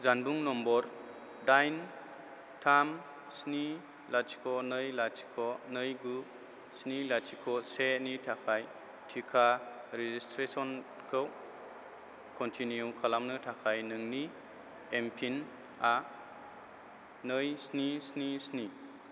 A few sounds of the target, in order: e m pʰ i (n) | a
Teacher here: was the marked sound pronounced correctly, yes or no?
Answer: yes